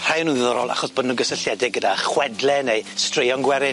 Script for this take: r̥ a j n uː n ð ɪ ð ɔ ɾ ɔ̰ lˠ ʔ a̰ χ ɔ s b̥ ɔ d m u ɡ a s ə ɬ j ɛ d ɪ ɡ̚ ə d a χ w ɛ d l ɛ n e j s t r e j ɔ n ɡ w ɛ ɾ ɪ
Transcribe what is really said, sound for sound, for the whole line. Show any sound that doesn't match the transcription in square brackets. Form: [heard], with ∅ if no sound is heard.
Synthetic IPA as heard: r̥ a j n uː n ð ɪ ð ɔ ɾ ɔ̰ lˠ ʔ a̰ χ ɔ s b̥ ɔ d [n] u ɡ [ə] s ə ɬ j ɛ d ɪ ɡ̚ ə d a χ w ɛ d l ɛ n e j s t r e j ɔ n ɡ w ɛ ɾ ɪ